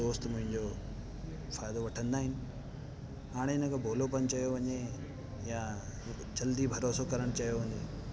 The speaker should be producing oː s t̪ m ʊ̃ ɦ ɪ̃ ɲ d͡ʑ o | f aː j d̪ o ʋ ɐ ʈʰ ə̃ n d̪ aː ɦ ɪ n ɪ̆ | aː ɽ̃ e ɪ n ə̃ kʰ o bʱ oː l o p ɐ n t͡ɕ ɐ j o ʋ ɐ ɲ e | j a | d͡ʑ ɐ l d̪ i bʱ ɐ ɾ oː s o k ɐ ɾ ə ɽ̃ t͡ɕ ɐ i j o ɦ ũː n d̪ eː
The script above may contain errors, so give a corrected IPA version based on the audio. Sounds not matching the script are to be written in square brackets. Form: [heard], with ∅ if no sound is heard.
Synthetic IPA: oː s t̪ m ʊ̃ ɦ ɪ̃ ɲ d͡ʑ o | f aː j d̪ o ʋ ɐ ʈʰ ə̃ n d̪ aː ɦ ɪ n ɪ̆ | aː ɽ̃ e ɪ n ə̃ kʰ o bʱ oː l o p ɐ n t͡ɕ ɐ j o ʋ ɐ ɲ e | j a | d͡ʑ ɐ l d̪ i bʱ ɐ ɾ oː s o k ɐ ɾ ə ɽ̃ t͡ɕ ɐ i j o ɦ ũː n d̪ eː